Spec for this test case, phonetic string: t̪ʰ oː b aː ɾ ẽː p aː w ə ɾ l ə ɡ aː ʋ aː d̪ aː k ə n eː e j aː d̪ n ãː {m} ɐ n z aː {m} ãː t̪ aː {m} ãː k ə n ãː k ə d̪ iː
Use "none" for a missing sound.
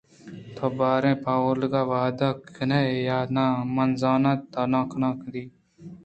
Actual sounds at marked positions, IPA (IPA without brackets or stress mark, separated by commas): m, n, n